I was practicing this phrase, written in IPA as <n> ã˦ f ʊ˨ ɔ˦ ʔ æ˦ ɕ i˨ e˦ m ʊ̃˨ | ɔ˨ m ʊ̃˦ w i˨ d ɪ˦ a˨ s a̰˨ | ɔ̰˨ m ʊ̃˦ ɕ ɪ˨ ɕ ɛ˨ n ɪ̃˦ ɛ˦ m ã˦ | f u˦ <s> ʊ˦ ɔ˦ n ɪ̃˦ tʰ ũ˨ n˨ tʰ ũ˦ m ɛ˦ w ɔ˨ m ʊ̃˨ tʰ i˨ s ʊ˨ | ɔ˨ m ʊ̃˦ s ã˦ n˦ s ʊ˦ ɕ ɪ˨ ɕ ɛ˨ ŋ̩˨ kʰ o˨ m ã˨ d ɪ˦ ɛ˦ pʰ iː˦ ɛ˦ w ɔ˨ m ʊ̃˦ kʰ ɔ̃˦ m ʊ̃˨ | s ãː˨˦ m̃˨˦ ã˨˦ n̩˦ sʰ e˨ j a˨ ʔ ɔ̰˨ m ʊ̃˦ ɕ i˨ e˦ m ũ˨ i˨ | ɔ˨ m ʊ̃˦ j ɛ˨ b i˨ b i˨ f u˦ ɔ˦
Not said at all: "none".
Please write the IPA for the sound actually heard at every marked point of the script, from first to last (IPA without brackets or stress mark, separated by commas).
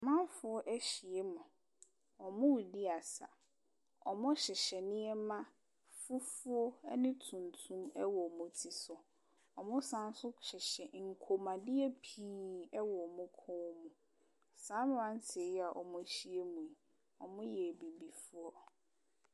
m, f